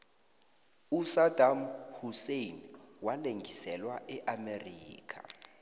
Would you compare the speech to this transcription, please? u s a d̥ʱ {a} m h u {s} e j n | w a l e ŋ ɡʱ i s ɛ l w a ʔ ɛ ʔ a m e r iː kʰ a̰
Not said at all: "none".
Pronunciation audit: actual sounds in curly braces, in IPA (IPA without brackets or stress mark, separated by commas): a, s